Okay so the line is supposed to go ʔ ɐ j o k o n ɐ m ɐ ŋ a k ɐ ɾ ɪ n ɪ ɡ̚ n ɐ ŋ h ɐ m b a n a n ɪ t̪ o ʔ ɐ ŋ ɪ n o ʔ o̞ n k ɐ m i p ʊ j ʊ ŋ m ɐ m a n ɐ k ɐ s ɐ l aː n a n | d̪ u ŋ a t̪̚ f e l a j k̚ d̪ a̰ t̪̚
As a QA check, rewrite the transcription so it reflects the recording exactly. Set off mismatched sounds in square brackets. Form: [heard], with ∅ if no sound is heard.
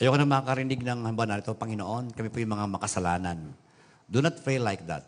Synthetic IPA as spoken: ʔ ɐ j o k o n ɐ m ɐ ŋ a k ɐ ɾ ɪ n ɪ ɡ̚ n ɐ ŋ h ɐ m b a n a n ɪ t̪ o [p] ɐ ŋ ɪ n o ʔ o̞ n k ɐ m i p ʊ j ʊ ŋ m ɐ [ŋ] a [m] ɐ k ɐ s ɐ l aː n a n | d̪ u [n] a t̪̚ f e l a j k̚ d̪ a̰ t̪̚